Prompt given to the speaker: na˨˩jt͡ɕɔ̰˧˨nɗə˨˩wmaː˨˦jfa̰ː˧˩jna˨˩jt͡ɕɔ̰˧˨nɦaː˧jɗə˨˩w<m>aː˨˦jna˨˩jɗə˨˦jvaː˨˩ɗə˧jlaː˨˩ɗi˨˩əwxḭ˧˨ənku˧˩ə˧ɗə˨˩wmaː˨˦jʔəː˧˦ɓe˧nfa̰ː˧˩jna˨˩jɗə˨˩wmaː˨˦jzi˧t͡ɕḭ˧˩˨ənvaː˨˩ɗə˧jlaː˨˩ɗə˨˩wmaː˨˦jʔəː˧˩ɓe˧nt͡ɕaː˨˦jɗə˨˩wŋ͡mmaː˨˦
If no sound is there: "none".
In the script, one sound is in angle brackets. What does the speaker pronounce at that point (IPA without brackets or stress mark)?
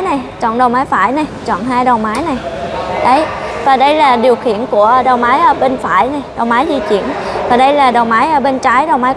m